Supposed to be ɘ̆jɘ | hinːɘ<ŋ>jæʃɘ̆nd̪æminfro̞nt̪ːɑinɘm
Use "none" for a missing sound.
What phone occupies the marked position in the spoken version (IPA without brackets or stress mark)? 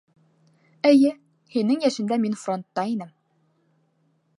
ŋ